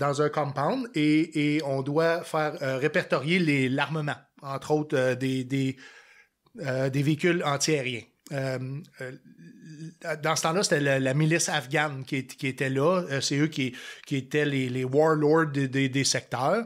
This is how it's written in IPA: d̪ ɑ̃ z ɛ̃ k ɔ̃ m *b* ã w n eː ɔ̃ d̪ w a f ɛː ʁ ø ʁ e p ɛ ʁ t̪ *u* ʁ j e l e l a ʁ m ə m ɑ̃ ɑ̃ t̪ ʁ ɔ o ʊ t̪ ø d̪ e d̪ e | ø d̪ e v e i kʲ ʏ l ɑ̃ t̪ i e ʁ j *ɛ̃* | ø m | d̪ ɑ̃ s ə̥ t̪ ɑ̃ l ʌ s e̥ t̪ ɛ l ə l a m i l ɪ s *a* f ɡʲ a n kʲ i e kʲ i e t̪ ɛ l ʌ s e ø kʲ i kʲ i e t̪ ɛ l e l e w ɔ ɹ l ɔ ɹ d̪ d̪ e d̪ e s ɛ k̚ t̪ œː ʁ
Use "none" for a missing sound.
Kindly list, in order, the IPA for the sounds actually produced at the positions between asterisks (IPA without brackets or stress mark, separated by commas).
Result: p, ɔ, ɛ̃, a